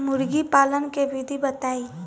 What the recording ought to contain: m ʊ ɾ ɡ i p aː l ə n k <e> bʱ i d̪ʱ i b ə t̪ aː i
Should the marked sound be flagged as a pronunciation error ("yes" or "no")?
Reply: no